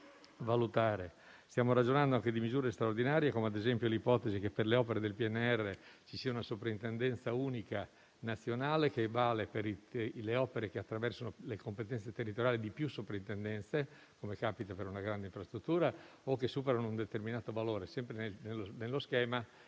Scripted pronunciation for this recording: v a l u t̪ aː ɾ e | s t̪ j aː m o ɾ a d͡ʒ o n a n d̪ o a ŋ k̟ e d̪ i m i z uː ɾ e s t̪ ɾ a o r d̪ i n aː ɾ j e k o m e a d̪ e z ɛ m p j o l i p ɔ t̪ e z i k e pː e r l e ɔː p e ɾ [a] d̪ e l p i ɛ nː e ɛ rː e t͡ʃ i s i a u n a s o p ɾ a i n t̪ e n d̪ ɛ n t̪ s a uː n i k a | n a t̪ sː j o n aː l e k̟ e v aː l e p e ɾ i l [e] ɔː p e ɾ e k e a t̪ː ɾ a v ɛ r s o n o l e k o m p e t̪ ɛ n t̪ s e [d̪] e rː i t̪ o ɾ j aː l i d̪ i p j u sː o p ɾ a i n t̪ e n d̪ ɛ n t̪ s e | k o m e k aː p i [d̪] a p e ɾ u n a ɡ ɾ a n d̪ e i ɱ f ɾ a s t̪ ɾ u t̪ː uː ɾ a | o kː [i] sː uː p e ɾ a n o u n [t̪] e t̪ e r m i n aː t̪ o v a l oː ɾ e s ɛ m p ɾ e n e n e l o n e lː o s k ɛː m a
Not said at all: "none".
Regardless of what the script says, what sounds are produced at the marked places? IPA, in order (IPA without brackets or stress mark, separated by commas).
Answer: e, e, t̪, t̪, e, d̪